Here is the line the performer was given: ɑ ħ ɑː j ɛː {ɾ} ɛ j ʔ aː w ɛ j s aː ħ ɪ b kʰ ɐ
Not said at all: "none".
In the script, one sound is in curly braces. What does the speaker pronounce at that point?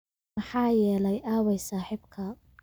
l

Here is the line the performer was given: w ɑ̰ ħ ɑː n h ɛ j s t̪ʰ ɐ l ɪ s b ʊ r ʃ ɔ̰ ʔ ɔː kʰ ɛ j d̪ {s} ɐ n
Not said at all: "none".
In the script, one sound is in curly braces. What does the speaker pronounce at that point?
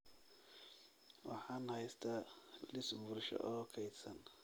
s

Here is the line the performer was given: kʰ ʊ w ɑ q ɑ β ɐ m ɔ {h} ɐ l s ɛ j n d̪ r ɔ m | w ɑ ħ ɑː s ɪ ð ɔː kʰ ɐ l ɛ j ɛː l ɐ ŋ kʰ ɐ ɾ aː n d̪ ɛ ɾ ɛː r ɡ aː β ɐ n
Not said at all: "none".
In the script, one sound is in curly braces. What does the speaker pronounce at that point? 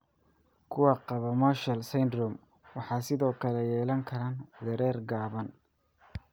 ʃ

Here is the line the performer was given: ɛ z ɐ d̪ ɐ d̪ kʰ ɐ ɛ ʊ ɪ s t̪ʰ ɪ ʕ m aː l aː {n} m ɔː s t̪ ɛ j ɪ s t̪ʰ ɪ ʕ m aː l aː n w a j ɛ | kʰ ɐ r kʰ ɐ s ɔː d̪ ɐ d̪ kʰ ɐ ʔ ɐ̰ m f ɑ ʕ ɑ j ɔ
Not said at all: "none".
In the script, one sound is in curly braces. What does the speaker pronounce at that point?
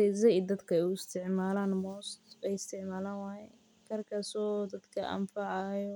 n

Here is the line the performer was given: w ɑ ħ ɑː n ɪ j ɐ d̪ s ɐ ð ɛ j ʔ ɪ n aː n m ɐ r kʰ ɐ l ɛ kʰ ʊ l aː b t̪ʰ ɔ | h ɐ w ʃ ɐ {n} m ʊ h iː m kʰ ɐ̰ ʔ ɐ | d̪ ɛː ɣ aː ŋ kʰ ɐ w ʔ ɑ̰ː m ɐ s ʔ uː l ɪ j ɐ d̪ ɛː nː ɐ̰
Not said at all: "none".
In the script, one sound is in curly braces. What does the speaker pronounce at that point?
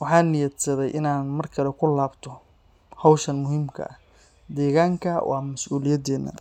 n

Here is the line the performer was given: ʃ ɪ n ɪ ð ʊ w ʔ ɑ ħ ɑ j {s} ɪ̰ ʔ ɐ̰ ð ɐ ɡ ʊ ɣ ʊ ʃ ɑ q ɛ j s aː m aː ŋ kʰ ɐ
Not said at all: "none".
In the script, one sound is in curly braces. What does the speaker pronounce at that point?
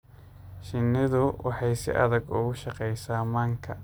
s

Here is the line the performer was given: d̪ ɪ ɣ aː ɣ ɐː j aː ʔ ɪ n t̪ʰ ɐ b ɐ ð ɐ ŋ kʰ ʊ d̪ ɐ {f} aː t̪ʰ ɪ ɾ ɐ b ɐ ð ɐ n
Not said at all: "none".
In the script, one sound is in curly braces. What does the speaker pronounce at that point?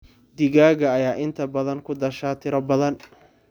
ʃ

